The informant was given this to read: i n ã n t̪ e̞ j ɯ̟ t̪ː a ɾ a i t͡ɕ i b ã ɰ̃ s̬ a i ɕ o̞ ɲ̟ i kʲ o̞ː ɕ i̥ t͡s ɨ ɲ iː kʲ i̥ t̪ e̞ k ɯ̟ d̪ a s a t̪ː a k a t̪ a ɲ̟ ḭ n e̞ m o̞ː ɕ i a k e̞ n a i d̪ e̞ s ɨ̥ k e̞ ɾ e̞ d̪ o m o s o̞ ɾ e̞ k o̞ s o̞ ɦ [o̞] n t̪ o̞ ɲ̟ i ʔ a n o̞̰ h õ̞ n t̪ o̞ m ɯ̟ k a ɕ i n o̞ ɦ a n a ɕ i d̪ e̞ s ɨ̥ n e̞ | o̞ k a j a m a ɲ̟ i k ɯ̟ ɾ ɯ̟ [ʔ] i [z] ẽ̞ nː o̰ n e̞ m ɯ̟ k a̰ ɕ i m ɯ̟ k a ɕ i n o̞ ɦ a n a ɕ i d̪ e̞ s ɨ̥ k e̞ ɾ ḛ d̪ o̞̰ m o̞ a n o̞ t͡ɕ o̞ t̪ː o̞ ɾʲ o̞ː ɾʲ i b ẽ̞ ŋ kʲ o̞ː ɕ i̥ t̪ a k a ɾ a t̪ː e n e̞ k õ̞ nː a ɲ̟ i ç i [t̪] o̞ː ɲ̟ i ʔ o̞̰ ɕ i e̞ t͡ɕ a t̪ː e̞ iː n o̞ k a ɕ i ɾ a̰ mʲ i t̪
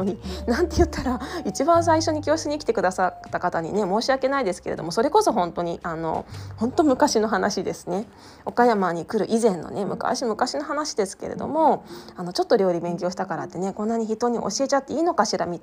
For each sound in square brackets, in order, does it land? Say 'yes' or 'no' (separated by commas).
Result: no, yes, yes, yes